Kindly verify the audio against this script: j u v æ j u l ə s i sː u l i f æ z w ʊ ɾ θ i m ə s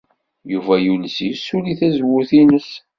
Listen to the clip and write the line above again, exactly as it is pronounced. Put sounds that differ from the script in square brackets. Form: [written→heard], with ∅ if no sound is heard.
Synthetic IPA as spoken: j u v æ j u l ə s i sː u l i [f→θ] æ z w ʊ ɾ θ i [m→n] ə s